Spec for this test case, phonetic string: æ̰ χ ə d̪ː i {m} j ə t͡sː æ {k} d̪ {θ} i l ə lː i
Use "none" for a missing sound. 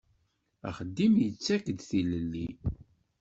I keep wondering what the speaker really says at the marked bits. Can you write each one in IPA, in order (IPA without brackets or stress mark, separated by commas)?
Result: m, k, θ